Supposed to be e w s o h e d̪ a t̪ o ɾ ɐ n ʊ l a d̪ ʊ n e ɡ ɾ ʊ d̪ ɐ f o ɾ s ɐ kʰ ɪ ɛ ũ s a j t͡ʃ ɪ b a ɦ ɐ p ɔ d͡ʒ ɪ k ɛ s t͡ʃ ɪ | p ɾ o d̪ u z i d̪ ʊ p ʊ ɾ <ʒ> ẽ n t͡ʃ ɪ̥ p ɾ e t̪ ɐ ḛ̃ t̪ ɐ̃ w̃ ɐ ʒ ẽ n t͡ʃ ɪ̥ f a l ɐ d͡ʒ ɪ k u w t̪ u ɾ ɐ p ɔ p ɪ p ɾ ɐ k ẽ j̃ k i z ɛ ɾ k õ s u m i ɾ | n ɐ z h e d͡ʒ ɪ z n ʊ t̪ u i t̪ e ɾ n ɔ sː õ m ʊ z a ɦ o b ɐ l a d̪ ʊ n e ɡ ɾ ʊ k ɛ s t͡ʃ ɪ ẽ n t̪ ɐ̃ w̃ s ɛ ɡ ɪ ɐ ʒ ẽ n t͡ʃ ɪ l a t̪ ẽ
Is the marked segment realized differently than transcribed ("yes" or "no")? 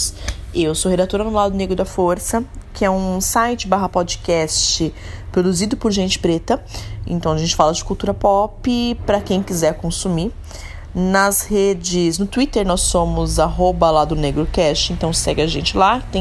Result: no